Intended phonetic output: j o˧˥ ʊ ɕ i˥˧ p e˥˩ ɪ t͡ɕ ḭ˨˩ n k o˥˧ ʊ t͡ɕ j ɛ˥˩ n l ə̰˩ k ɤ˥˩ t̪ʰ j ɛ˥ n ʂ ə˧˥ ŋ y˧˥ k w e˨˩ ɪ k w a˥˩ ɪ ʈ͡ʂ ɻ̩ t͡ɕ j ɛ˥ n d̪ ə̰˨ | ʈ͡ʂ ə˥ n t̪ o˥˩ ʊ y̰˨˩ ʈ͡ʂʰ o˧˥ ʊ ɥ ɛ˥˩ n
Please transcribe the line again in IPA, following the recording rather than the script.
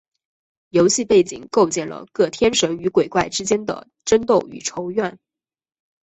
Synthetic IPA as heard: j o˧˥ ʊ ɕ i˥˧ p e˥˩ ɪ t͡ɕ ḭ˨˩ ŋ k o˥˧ ʊ t͡ɕ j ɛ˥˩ n l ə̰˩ k ɤ˥˩ t̪ʰ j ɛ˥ n ʂ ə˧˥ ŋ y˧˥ k w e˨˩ ɪ k w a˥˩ ɪ ʈ͡ʂ ɻ̩ t͡ɕ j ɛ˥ n d̪ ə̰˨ | ʈ͡ʂ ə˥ n t̪ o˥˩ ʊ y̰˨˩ ʈ͡ʂʰ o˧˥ ʊ ɥ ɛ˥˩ n

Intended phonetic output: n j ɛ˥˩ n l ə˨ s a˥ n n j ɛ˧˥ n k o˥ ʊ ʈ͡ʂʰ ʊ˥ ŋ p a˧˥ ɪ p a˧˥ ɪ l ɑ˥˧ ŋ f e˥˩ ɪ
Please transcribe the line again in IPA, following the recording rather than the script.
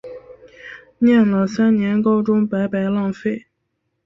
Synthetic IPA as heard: n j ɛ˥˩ n l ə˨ s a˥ n n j ɛ˧˥ n k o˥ ʊ ʈ͡ʂ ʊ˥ ŋ p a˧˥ ɪ p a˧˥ ɪ l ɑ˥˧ ŋ f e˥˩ ɪ

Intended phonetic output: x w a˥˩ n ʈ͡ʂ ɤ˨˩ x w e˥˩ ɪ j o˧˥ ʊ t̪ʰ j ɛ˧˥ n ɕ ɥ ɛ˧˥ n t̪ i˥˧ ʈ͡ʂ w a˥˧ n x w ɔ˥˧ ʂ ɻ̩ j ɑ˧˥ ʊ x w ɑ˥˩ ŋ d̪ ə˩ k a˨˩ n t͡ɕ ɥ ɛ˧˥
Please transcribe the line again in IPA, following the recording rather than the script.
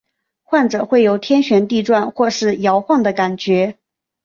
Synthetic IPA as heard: x w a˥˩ n ʈ͡ʂ ɤ˨˩ x w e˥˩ ɪ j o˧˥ ʊ t̪ʰ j ɛ˥ n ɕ ɥ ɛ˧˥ n t̪ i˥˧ ʈ͡ʂ w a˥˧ n x w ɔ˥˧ ʂ ɻ̩ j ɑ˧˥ ʊ x w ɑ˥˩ ŋ d̪ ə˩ k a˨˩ n t͡ɕ ɥ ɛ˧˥

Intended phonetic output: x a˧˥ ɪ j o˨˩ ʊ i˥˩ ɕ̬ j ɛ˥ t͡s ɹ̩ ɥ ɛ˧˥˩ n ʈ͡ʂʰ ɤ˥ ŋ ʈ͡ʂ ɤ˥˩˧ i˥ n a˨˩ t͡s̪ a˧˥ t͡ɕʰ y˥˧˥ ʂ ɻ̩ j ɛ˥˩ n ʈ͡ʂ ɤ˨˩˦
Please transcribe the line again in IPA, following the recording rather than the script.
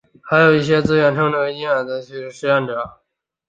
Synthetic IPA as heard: x a˧˥ ɪ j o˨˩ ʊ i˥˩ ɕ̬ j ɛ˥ t͡s ɹ̩ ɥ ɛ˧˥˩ n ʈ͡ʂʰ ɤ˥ ŋ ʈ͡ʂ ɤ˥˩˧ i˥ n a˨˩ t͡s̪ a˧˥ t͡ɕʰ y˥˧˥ ʂ ɻ̩ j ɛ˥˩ n ʈ͡ʂ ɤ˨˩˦

